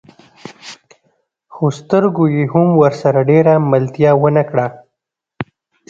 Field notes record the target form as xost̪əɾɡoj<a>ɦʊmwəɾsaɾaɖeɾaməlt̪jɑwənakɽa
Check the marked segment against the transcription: incorrect: e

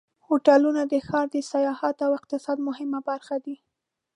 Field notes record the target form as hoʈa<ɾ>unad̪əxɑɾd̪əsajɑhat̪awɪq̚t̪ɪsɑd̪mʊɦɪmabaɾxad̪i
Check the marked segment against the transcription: incorrect: l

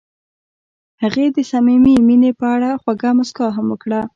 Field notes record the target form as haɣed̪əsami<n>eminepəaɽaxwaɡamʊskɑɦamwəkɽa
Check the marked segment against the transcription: incorrect: m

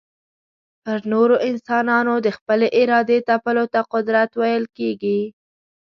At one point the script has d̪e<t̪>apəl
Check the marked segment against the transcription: correct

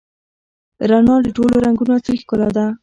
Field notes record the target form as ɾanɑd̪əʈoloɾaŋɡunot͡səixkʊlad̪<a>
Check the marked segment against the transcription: correct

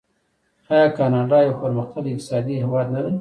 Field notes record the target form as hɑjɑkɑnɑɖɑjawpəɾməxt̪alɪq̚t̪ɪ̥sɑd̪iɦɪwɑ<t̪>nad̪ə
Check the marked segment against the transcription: incorrect: d̪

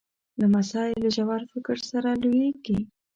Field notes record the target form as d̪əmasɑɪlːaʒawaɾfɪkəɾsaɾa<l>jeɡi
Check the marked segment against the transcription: correct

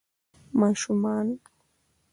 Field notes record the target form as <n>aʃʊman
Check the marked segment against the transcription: incorrect: m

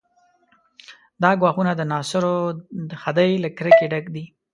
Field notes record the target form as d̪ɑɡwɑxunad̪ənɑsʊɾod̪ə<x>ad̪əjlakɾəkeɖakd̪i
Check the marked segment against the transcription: correct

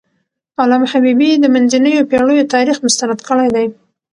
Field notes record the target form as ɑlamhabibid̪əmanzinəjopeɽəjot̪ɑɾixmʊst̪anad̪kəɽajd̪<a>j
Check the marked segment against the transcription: correct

